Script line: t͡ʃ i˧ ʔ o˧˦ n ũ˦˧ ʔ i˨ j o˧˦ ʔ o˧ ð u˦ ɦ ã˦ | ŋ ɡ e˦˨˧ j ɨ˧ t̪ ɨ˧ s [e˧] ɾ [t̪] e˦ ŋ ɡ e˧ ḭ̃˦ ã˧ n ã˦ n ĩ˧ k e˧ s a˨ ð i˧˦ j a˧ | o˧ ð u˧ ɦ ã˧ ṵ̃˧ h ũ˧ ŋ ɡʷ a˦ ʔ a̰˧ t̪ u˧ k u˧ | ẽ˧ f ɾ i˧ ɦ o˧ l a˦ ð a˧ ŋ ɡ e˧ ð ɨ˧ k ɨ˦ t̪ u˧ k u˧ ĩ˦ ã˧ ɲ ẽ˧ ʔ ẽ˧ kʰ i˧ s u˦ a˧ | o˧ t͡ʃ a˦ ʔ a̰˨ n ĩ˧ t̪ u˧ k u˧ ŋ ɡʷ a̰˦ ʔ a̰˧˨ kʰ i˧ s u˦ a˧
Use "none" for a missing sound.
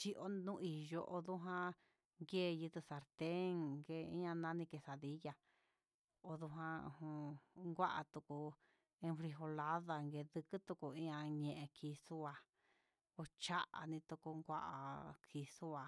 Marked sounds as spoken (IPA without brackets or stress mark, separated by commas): a˧, t̪